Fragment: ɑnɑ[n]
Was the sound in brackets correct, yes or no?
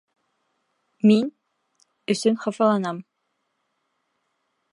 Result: no